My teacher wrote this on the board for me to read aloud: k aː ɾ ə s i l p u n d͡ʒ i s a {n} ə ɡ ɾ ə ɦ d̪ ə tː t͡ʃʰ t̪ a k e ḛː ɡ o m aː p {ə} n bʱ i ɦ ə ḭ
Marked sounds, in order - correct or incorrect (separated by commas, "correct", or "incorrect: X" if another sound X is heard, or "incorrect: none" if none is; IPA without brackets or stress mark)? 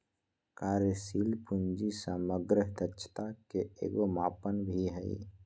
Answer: incorrect: m, correct